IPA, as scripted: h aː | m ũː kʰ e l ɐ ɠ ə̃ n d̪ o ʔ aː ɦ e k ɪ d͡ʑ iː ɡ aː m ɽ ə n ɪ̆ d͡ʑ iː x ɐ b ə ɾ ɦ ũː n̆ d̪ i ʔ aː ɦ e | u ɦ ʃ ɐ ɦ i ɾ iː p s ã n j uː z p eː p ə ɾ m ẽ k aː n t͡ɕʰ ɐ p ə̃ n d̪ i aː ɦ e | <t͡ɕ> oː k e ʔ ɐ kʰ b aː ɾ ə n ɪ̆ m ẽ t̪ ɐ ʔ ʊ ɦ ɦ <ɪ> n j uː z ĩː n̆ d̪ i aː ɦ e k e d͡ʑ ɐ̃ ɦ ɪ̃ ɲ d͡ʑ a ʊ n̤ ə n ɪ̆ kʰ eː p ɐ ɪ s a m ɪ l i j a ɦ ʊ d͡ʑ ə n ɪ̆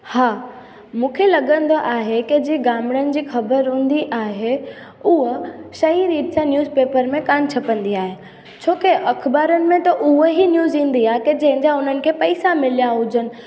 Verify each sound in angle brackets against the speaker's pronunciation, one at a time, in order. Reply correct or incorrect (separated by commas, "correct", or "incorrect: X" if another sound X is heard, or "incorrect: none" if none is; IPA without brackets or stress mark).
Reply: incorrect: t͡ɕʰ, incorrect: i